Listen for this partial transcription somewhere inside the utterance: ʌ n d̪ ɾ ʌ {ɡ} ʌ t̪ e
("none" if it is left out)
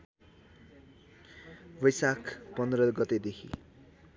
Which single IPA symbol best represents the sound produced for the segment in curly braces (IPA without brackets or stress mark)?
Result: ɡ